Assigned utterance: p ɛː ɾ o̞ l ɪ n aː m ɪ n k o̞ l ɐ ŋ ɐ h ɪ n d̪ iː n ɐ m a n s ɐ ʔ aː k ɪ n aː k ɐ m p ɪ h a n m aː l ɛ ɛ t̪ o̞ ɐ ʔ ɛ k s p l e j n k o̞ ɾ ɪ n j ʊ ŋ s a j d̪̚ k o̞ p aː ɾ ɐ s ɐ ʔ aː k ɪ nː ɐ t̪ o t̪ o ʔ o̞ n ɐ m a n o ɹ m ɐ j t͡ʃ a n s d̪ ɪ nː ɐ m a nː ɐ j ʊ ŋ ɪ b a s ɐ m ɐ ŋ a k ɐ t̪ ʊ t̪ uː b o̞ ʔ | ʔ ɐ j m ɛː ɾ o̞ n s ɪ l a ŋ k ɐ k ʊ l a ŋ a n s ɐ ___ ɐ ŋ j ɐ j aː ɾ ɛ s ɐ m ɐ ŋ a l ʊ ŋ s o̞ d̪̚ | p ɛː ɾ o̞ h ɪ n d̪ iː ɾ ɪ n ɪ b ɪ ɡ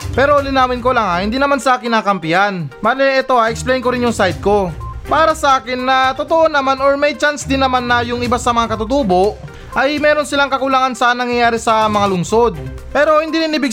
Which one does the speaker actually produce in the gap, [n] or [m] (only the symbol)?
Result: n